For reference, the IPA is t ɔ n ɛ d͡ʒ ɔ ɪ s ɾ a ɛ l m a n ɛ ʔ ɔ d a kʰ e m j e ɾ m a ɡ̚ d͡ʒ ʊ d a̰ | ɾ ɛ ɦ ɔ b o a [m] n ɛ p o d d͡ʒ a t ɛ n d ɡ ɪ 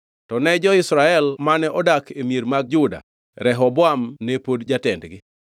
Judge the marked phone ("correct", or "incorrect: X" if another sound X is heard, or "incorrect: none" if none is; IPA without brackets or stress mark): correct